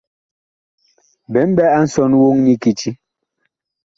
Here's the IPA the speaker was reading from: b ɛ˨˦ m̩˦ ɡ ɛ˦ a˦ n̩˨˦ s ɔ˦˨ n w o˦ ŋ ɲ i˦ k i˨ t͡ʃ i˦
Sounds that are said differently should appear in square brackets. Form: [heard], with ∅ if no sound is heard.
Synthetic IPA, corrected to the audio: b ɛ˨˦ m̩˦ [b] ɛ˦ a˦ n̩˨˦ s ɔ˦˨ n w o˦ ŋ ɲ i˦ k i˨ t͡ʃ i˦